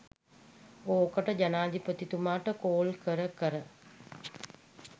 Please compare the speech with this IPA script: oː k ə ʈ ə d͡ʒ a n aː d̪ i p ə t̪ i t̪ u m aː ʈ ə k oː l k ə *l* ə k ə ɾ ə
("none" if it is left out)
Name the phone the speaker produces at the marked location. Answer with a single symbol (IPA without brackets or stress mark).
ɾ